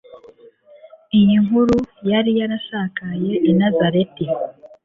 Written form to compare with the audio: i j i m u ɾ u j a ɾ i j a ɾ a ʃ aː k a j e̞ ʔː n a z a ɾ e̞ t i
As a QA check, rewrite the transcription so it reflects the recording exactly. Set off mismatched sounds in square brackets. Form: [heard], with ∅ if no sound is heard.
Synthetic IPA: i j i [ŋ] u ɾ u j a ɾ i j a ɾ a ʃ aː k a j e̞ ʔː n a z a ɾ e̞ t i